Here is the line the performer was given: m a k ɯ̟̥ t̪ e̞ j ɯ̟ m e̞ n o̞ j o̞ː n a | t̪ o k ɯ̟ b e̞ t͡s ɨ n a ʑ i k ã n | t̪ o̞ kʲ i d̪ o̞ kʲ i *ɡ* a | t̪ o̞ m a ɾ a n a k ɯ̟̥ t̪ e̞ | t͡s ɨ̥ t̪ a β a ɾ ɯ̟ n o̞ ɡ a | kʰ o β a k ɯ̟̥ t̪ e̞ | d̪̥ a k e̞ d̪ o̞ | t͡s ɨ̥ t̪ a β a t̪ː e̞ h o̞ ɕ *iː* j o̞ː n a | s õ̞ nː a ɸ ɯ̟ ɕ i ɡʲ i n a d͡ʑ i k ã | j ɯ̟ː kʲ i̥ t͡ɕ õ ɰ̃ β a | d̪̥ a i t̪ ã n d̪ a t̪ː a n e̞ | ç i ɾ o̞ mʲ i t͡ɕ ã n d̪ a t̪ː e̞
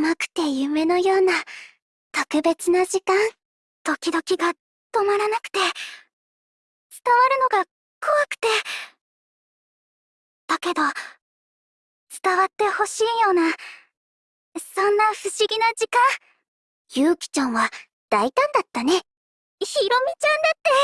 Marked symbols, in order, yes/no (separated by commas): yes, yes